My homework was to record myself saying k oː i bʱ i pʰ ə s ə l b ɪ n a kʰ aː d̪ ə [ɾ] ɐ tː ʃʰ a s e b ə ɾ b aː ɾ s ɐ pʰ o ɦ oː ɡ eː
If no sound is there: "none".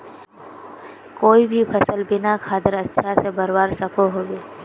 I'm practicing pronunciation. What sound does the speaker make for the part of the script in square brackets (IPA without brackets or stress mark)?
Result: ɾ